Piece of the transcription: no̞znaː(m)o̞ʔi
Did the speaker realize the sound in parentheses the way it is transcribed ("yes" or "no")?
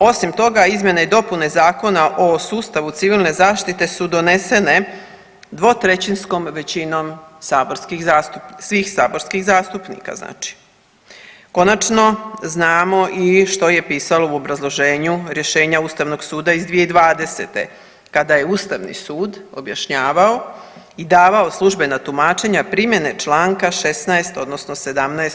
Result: yes